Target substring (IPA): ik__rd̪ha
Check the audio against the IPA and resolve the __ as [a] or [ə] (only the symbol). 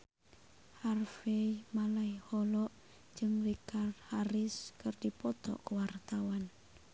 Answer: a